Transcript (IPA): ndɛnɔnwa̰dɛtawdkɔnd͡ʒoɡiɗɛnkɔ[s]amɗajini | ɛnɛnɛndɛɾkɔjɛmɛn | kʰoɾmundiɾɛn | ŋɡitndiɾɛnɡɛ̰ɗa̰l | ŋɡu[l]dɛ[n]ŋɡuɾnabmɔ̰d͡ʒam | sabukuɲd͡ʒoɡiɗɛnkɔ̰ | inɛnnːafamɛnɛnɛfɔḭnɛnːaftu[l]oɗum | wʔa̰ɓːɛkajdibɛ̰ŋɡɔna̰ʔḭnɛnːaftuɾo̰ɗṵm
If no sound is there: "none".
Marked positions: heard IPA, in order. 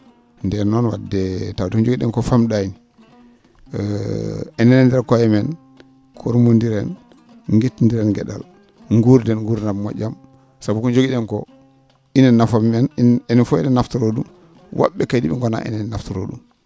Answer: f, ɾ, n, ɾ

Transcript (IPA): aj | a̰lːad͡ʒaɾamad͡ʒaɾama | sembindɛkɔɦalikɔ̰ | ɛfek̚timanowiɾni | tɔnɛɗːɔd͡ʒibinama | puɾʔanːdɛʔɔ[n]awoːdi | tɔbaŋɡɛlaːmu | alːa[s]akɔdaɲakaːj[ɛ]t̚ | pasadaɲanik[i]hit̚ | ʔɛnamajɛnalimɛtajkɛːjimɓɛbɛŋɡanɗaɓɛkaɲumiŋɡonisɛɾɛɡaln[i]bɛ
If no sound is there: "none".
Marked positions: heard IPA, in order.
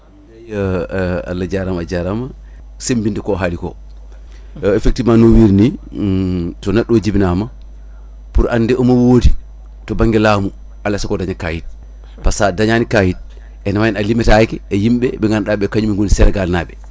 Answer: m, s, i, a, a

